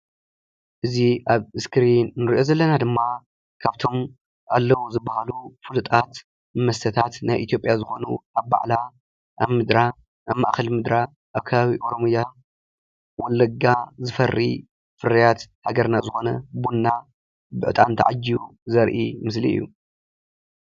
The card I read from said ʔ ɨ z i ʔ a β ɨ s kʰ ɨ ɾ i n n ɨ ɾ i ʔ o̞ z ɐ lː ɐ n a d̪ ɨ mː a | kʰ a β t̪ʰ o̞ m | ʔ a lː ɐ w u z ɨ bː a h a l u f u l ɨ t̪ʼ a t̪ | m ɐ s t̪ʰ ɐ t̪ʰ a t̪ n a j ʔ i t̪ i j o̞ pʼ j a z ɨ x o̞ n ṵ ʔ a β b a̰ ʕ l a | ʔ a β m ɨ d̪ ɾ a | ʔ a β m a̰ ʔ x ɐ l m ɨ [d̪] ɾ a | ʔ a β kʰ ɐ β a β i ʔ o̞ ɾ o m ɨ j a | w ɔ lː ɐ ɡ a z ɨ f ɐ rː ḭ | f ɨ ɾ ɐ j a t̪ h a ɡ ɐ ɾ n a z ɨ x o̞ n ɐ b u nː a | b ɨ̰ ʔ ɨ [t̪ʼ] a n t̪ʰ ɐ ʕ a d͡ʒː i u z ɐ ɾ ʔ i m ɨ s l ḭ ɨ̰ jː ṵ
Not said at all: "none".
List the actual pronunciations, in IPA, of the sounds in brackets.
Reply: d̪, t̪ʼ

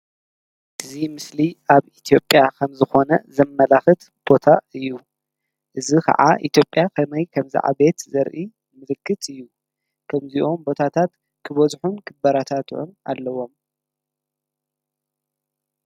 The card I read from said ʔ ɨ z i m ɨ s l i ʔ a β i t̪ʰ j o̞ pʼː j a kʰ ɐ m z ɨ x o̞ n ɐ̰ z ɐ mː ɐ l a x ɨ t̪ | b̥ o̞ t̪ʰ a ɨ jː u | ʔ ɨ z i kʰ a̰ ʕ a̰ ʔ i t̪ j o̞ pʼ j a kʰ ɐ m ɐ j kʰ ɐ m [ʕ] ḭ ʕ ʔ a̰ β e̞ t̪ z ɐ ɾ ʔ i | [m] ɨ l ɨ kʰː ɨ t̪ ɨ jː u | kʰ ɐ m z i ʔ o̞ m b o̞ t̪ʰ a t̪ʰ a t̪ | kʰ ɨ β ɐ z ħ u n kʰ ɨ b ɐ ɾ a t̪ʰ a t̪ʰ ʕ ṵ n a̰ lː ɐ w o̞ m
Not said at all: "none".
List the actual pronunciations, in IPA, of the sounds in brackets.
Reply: z, m

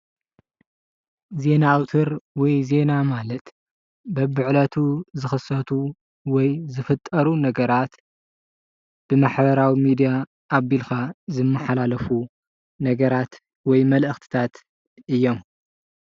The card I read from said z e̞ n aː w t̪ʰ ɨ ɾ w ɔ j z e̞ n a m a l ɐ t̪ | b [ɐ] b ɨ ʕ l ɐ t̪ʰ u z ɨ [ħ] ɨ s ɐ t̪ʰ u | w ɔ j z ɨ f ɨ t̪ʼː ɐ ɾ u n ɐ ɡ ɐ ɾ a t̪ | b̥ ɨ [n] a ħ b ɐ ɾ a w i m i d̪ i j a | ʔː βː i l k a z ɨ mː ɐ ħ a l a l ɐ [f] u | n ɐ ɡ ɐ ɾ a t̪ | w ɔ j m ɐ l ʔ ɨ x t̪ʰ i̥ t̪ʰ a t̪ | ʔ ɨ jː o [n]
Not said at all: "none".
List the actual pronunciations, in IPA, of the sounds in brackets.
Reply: ɐ, x, m, f, m

